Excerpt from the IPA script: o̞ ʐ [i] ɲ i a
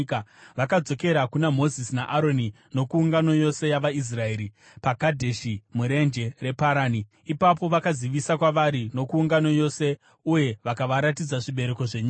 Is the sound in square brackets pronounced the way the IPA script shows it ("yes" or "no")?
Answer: no